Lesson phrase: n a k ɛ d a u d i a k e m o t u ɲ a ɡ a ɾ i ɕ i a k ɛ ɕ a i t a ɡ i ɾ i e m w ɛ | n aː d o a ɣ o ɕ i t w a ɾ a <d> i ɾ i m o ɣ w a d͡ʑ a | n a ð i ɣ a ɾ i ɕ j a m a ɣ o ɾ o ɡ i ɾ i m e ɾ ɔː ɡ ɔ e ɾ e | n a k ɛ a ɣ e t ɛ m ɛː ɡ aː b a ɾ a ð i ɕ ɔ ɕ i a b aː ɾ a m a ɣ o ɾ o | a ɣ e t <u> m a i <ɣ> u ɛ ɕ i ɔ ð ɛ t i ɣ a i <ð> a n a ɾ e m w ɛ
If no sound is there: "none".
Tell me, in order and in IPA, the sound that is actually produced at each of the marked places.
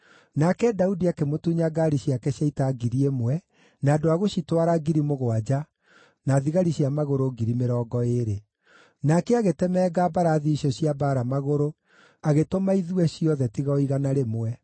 ɡ, o, ð, ɣ

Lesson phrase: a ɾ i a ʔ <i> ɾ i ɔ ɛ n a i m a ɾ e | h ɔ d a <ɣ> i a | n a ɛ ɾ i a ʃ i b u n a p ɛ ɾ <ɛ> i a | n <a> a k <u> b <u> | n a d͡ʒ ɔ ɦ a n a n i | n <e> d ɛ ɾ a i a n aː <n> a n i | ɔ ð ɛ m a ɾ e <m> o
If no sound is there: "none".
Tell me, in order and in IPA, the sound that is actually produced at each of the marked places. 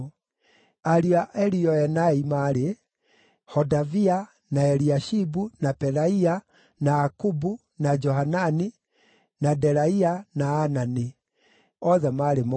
ɛ, v, a, a, u, u, a, n, m

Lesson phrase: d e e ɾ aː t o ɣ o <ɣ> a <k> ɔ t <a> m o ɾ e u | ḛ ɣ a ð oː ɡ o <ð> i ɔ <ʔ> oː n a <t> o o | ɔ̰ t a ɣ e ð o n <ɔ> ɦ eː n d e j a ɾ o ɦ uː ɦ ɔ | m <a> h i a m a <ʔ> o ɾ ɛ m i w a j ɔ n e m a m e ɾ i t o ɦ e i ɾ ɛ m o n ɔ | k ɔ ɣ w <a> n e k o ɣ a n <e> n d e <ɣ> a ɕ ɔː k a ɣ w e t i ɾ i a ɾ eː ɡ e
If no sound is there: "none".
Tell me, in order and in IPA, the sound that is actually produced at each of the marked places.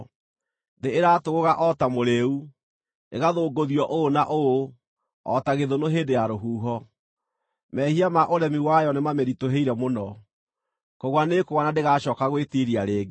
ɣ, ʔ, a, ð, ʔ, ʔ, o, ɛ, ʔ, a, a, ɣ

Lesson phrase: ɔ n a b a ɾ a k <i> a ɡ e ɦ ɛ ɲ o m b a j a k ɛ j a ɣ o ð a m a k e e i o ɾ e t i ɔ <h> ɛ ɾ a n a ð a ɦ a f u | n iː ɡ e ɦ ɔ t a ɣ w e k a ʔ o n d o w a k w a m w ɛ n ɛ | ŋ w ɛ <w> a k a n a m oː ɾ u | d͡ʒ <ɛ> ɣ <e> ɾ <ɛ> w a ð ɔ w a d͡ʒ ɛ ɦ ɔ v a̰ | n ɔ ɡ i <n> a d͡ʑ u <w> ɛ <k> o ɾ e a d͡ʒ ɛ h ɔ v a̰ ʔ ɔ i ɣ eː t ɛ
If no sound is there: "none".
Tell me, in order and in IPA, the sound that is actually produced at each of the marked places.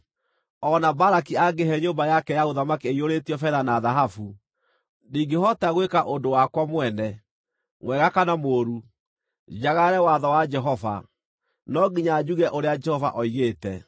i, f, ɣ, a, a, ɛ, ɲ, ɣ, ʔ

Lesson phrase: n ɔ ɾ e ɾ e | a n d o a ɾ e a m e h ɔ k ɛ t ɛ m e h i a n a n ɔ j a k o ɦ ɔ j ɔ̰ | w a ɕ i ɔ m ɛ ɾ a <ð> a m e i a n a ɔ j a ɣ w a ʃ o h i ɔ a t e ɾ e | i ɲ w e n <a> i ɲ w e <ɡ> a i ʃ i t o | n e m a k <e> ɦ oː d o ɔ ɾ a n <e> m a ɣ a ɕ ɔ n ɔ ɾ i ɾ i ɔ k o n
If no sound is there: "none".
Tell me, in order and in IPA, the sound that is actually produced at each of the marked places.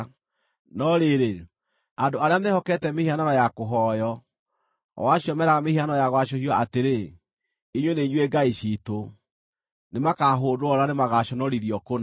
ɣ, e, ɡ, a, e

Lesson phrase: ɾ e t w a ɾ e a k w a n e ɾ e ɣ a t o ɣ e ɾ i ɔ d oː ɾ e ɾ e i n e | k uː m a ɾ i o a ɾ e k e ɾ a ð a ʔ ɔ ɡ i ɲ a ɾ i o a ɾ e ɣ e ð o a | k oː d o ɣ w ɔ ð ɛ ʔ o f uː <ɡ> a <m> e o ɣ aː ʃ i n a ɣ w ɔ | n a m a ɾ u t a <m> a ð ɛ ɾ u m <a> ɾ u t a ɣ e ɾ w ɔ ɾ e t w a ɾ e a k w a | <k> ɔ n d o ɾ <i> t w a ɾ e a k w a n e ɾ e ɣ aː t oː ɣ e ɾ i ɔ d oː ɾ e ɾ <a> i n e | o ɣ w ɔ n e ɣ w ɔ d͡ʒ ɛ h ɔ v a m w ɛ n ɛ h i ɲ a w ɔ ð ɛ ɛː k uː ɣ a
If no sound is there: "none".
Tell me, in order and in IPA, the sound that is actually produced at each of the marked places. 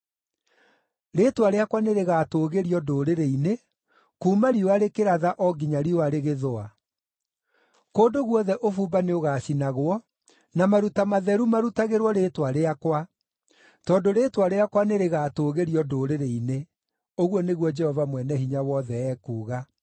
b, n, m, a, t, e, e

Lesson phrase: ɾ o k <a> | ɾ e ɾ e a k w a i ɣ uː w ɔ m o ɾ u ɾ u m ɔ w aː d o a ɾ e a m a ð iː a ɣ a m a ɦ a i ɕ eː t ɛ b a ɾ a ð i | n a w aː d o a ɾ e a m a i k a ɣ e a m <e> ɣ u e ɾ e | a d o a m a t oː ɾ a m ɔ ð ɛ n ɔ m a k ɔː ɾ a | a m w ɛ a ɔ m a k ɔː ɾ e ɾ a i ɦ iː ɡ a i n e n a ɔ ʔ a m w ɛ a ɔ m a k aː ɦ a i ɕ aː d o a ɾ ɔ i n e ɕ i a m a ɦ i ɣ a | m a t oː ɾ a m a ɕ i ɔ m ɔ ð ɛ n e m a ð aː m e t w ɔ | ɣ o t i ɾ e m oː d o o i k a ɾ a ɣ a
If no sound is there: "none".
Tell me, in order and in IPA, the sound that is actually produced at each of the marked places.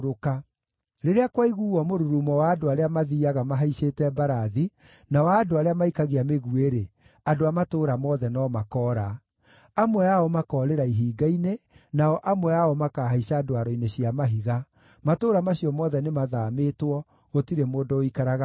a, e

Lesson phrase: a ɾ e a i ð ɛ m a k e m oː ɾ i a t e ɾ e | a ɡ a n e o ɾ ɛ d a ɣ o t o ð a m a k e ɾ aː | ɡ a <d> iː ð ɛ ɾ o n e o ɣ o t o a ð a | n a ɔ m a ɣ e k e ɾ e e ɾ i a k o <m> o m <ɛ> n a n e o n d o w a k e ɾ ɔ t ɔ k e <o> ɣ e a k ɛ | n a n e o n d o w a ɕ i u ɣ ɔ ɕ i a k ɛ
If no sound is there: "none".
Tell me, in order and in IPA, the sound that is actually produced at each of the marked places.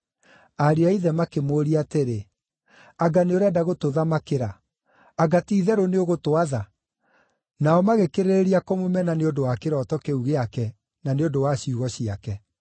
t, m, ɛ, u

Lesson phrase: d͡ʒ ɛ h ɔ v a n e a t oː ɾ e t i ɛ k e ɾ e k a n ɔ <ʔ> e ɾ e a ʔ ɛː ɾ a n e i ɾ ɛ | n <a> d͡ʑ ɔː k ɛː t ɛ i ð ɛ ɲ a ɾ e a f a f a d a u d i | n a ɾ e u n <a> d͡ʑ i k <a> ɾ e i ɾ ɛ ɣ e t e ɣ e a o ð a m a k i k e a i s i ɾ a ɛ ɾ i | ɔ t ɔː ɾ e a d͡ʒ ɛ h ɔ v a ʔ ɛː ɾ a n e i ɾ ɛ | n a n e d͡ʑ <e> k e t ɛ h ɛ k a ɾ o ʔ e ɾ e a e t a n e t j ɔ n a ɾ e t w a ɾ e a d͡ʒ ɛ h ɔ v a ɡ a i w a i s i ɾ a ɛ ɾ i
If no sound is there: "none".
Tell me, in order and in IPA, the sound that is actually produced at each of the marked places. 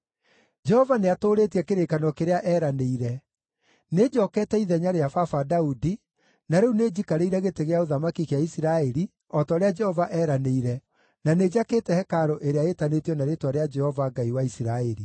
k, e, e, a, a

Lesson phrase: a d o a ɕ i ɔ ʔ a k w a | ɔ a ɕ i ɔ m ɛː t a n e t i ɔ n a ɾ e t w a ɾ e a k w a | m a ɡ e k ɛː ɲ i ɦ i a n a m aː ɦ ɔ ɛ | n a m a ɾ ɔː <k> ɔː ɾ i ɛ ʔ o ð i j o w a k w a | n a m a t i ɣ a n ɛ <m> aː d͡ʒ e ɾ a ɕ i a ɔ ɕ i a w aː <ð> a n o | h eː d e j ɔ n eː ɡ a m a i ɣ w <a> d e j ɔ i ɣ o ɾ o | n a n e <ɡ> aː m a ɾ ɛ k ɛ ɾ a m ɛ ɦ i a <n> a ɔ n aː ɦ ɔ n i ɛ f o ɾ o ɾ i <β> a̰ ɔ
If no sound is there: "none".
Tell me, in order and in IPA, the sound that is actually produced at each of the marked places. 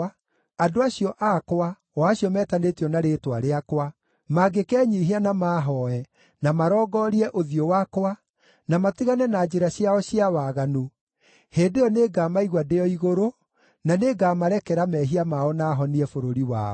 ɡ, n, ɣ, a, ɡ, m, w

